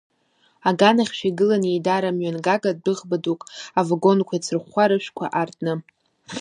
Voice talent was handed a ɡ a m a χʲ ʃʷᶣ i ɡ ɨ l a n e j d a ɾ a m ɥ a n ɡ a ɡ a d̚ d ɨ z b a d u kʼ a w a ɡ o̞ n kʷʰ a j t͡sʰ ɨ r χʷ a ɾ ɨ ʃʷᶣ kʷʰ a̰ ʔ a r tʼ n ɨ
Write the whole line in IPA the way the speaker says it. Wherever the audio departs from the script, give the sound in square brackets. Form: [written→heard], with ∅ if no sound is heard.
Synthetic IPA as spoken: a ɡ a [m→n] a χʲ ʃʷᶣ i ɡ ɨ l a n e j d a ɾ a m ɥ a n ɡ a ɡ a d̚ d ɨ [z→ʁ] b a d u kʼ a [w→v] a ɡ o̞ n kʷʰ a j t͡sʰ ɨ r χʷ a ɾ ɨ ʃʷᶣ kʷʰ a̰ ʔ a r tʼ n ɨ